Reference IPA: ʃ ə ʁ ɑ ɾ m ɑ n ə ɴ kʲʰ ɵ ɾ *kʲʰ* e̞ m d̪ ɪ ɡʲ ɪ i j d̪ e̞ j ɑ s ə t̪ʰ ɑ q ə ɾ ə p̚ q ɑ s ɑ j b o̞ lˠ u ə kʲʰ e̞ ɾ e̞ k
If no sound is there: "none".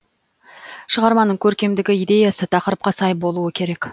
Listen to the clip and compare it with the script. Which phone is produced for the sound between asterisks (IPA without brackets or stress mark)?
kʲ